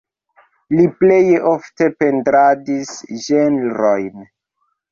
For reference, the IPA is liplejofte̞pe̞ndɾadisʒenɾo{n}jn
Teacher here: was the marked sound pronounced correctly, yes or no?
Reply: no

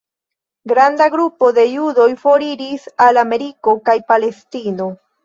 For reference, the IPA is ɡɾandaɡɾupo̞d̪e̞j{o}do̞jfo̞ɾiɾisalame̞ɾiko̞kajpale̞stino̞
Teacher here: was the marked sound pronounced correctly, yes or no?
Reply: no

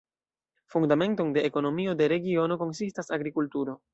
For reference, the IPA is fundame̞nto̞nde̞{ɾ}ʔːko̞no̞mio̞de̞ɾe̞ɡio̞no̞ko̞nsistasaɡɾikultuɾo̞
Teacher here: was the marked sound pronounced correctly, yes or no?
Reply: no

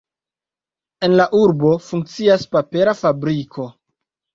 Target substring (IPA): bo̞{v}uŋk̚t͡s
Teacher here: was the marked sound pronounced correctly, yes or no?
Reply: no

